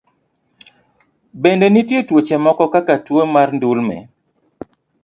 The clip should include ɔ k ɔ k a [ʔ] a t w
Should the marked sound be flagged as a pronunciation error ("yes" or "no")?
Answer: yes